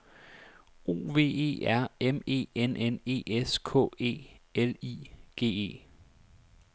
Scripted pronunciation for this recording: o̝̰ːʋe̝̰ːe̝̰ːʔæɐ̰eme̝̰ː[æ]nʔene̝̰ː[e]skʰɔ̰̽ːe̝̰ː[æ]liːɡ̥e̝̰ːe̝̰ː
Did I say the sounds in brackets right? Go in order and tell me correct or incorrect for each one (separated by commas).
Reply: incorrect, correct, incorrect